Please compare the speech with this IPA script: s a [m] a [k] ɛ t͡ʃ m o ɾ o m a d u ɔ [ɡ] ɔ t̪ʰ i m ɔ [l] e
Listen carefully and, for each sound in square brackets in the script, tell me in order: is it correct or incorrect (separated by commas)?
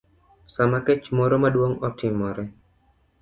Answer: correct, correct, incorrect, incorrect